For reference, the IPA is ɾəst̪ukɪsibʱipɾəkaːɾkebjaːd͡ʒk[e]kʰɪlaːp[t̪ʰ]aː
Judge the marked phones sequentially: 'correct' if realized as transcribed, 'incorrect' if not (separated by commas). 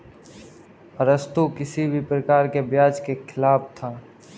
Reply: correct, correct